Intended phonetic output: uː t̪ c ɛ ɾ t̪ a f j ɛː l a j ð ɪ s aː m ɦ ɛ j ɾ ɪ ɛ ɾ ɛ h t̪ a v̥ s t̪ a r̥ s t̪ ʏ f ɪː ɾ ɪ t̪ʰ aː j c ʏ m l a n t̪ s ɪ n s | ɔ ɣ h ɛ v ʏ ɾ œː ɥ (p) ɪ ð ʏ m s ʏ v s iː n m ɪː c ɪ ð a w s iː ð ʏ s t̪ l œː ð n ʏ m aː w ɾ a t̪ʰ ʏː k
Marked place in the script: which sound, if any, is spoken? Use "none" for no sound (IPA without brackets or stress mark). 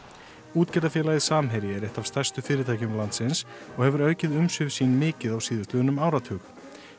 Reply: c